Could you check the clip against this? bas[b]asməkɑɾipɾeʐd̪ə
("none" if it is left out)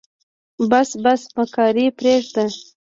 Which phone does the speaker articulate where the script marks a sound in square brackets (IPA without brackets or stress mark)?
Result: b